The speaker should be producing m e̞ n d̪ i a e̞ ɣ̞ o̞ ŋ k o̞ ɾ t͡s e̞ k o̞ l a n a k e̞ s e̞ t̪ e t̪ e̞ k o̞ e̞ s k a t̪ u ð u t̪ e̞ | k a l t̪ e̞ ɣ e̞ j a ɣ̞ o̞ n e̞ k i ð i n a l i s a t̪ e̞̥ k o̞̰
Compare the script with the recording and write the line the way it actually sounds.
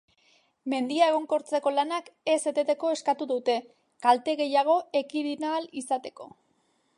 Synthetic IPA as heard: m e̞ n d̪ i a e̞ ɣ̞ o̞ ŋ k o̞ ɾ t͡s e̞ k o̞ l a n a k e̞ s e̞ t̪ e t̪ e̞ k o̞ e̞ s k a t̪ u ð u t̪ e̞ | k a l t̪ e̞ ɣ e̞ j a ɣ̞ o̞ e̞ k i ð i n a l i s a t̪ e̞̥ k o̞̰